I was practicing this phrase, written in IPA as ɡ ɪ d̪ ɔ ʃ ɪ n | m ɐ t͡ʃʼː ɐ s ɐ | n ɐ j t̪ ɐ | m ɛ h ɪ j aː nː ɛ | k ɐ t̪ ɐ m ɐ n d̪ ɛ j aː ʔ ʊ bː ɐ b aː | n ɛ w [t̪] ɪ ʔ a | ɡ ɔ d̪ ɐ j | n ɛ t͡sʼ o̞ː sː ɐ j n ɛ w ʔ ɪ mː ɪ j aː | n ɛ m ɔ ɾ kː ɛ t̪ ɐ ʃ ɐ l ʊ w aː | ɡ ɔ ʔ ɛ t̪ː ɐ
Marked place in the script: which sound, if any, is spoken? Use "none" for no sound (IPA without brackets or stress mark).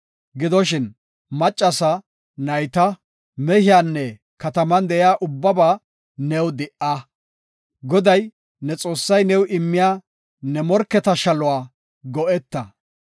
d̪